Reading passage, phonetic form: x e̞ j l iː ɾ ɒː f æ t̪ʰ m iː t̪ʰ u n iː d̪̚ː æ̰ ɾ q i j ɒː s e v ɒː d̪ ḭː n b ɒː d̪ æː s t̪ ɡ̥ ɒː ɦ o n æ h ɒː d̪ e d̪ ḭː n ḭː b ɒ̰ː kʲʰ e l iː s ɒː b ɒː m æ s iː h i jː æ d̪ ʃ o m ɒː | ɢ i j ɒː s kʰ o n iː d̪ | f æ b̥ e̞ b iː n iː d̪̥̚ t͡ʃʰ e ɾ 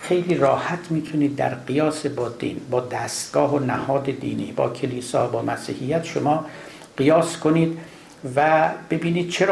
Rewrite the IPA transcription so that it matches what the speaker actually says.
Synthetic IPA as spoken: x e̞ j l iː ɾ ɒː h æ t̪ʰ m iː t̪ʰ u n iː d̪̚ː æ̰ ɾ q i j ɒː s e b ɒː d̪ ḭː n b ɒː d̪ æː s t̪ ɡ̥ ɒː ɦ o n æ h ɒː d̪ e d̪ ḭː n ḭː b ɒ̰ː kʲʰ e l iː s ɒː b ɒː m æ s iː h i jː æ t̪ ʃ o m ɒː | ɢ i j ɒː s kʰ o n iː d̪ | v æ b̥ e̞ b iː n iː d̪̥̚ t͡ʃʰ e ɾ